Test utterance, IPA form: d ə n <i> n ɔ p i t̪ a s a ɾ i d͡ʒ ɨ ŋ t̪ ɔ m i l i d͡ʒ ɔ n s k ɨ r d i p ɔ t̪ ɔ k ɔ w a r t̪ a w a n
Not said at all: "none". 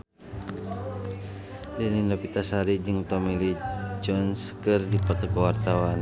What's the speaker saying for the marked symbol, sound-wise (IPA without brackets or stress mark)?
i